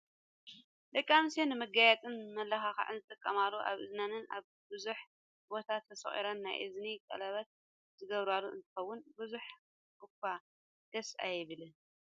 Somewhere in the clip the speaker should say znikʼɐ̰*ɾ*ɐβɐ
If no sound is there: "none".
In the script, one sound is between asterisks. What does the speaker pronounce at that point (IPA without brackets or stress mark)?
l